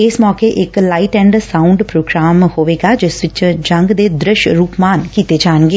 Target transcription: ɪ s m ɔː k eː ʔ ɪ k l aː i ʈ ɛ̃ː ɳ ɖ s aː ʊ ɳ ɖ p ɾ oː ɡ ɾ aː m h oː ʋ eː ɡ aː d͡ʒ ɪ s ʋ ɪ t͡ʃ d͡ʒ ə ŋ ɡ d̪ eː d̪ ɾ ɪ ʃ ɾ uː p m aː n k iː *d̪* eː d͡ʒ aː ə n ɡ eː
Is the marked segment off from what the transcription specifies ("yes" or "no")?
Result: yes